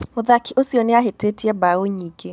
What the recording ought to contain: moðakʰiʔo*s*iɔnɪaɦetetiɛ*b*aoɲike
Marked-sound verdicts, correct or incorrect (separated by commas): correct, correct